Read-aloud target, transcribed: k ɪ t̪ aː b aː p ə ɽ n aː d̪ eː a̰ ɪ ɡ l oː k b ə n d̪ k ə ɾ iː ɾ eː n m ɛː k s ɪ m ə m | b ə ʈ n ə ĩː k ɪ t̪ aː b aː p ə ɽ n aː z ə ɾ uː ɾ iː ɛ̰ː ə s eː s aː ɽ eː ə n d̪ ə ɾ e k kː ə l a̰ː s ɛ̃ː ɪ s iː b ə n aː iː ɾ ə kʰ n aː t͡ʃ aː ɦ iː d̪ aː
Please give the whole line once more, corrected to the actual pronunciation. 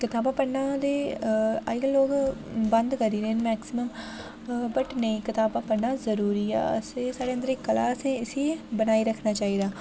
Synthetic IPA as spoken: k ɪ t̪ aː b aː p ə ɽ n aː d̪ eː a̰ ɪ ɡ l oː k b ə n d̪ k ə ɾ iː ɾ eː n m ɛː k s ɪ m ə m | b ə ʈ n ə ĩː k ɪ t̪ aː b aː p ə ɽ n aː z ə ɾ uː ɾ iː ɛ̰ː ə s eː s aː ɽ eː ə n d̪ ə ɾ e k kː ə l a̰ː s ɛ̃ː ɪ s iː b ə n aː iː ɾ ə kʰ n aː t͡ʃ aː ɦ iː d̪ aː